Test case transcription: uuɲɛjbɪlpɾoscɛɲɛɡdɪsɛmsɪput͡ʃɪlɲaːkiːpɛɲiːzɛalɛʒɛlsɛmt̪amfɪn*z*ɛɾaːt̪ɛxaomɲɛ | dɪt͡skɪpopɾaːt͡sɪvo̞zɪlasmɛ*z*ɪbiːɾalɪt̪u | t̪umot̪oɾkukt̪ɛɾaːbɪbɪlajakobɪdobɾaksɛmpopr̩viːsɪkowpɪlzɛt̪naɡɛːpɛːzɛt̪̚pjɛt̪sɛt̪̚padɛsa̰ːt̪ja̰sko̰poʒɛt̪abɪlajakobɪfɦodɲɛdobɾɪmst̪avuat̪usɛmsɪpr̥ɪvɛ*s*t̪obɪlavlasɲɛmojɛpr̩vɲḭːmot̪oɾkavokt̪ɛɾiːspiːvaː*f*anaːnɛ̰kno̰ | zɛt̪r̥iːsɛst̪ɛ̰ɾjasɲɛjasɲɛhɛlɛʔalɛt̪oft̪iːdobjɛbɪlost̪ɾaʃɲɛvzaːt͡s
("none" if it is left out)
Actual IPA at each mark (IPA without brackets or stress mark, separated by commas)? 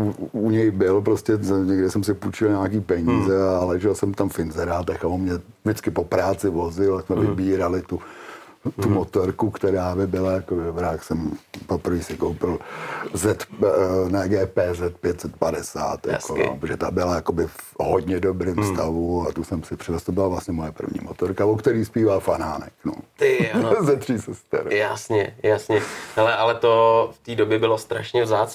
z, v, s, f